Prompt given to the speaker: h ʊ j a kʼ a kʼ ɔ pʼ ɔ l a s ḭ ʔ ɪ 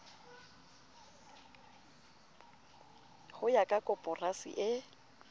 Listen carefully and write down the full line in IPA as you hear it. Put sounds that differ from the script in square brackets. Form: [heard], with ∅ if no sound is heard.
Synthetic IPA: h ʊ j a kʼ a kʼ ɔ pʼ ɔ [r] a s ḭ ʔ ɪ